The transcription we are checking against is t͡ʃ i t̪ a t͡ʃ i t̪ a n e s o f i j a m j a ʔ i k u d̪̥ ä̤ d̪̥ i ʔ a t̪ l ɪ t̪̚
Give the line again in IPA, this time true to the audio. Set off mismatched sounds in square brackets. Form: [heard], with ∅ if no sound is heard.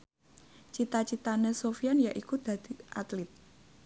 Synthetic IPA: t͡ʃ i t̪ a t͡ʃ i t̪ a n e s o f i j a [n] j a ʔ i k u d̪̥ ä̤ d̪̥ i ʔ a t̪ l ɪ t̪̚

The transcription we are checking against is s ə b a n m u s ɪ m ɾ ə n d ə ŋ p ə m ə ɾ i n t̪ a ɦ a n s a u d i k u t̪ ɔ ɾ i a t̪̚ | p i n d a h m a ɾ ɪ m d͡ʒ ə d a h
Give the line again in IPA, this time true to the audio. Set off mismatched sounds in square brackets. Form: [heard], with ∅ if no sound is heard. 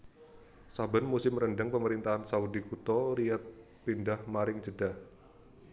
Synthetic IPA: s [a] b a n m u s ɪ m ɾ ə n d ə ŋ p ə m ə ɾ i n t̪ a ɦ a n s a u d i k u t̪ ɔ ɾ i a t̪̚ | p i n d a h m a ɾ ɪ [ŋ] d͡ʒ ə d a h

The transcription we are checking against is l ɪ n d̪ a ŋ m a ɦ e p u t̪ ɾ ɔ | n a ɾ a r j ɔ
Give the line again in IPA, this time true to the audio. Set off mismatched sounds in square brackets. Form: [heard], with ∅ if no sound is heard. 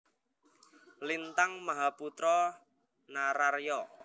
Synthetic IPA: l [i] n [t̪] a ŋ m a ɦ [a] p u t̪ ɾ ɔ | n a ɾ a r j ɔ

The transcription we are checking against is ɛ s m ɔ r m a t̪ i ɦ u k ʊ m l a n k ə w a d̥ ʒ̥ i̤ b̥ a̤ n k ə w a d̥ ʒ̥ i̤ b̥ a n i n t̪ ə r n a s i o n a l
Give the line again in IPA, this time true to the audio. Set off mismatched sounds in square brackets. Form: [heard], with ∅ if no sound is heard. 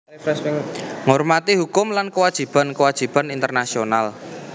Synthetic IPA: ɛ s [ŋ] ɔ r m a t̪ i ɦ u k ʊ m l a n k ə w a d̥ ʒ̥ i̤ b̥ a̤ n k ə w a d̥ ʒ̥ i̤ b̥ a n i n t̪ ə r n a s i o n a l

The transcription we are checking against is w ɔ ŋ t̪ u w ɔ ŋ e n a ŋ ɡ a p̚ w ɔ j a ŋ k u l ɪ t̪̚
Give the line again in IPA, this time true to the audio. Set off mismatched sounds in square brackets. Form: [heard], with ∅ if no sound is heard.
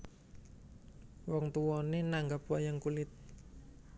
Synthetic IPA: w ɔ ŋ t̪ u w ɔ [n] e n a ŋ ɡ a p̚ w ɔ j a ŋ k u l ɪ t̪̚

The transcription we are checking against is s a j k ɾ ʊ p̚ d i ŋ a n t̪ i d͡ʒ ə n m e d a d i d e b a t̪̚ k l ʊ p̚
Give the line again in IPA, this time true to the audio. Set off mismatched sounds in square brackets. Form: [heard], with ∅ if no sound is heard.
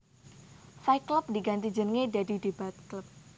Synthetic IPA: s a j k [l] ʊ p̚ d i [ɡ] a n t̪ i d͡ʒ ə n [ŋ] e d a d i d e b a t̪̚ k l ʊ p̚

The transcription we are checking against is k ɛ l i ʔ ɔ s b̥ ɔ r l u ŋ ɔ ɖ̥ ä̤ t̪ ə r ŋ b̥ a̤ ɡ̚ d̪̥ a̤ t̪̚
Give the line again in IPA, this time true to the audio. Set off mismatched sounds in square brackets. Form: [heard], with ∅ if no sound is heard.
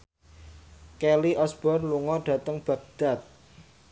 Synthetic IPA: k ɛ l i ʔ ɔ s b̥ ɔ r l u ŋ ɔ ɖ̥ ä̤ t̪ ə [∅] ŋ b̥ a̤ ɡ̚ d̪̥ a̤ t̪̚

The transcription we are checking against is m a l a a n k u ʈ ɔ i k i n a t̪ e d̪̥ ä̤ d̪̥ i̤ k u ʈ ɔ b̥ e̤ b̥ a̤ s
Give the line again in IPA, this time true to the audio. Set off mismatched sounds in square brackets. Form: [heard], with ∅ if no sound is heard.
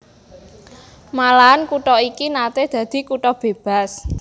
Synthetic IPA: m a l a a n k u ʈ ɔ i k i n a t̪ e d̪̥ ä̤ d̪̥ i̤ k u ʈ ɔ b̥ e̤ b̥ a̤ s

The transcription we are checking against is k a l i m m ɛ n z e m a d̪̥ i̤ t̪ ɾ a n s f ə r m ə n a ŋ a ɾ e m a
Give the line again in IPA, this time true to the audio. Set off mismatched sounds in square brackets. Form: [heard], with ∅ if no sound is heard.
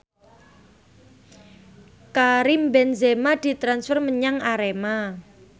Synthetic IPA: k a [ɾ] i m [b] ɛ n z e m a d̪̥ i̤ t̪ ɾ a n s f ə r m ə [ɲ] a ŋ a ɾ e m a

